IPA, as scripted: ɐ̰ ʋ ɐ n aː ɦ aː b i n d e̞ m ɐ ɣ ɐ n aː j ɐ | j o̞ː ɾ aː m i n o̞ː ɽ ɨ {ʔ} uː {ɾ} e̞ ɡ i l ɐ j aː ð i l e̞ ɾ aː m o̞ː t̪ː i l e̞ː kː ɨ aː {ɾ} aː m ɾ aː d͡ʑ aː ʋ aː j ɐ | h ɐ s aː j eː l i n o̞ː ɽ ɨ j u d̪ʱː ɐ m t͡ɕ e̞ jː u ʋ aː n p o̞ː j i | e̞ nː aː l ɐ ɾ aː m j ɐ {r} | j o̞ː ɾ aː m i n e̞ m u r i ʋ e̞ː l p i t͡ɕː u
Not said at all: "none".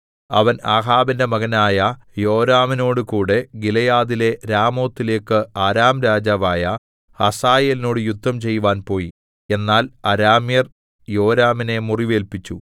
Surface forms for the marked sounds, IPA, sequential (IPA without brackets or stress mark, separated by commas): k, ɽ, ɾ, r